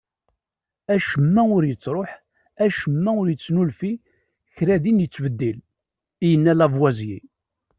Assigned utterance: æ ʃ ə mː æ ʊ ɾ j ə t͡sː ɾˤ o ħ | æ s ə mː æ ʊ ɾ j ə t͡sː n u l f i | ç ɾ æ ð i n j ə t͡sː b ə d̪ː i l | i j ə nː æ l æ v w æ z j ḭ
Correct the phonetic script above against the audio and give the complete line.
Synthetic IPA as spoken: æ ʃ ə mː æ ʊ ɾ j ə t͡sː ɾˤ o ħ | æ ʃ ə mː æ ʊ ɾ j ə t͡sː n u l f i | ç ɾ æ ð i n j ə t͡sː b ə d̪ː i l | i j ə nː æ l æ v w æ z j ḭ